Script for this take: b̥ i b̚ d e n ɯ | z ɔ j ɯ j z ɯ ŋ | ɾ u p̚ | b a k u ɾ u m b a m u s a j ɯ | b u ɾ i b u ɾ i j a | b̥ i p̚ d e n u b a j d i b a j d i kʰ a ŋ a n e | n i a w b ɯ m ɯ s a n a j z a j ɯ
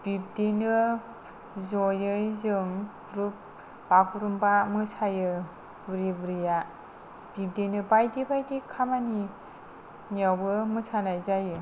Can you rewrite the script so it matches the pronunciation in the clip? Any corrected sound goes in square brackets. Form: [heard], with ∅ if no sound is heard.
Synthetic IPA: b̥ i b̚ d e n ɯ | z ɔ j ɯ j z ɯ ŋ | ɾ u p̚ | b a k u ɾ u m b a m [ɯ] s a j ɯ | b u ɾ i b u ɾ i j a | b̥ i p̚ d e n [ɯ] b a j d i b a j d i kʰ a [m] a n [i] | n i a w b ɯ m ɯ s a n a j z a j ɯ